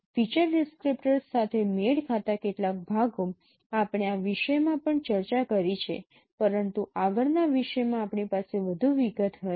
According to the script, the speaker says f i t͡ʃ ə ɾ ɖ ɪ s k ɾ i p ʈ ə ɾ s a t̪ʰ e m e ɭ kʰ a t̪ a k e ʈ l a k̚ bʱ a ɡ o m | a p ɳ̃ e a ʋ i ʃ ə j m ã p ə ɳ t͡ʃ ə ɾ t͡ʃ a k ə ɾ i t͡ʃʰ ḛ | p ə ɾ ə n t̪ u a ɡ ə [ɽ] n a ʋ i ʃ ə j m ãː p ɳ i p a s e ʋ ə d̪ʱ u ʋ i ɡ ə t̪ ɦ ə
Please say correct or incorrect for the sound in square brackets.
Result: incorrect